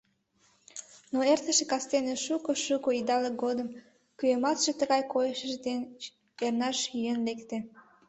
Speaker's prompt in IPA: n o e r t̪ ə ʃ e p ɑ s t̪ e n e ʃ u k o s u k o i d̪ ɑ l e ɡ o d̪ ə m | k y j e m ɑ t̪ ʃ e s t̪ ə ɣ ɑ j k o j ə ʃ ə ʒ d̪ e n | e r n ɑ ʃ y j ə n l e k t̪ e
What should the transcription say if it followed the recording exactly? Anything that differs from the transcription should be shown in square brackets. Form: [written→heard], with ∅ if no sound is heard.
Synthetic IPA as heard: n o e r t̪ ə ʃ e [p→k] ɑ s t̪ e n e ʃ u k o [s→ʃ] u k o i d̪ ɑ l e ɡ o d̪ ə m | k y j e m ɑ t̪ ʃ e [s→∅] t̪ ə ɣ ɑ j k o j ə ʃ ə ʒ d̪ e n | e r n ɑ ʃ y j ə n l e k t̪ e

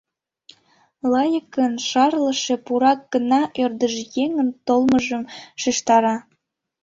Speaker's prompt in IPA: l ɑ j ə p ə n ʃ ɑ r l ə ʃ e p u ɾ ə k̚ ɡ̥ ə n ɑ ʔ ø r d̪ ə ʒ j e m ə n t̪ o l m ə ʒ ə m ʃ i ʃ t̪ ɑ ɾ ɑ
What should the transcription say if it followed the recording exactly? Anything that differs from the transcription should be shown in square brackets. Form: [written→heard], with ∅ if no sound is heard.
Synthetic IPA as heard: l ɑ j ə [p→k] ə n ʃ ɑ r l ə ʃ e p u ɾ [ə→ɑ] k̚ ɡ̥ ə n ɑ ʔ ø r d̪ ə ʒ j e [m→ŋ] ə n t̪ o l m ə ʒ ə m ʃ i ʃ t̪ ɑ ɾ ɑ

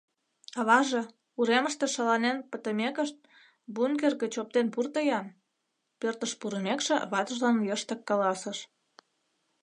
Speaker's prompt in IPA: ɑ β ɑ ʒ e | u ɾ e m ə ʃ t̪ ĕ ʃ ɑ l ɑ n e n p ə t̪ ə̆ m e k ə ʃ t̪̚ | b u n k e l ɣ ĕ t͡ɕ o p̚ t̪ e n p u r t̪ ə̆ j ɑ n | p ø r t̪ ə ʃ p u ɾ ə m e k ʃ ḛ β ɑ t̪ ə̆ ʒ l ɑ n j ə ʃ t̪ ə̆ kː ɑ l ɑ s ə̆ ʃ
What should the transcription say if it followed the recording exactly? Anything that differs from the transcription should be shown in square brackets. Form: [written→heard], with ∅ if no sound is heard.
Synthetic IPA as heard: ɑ β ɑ ʒ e | u ɾ e m ə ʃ t̪ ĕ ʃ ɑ l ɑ n e n p ə t̪ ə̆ m e k ə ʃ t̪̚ | b u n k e [l→r] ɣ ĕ t͡ɕ o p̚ t̪ e n p u r t̪ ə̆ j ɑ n | p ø r t̪ ə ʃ p u ɾ ə m e k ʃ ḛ β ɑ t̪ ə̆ ʒ l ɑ n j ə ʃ t̪ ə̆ kː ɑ l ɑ s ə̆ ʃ

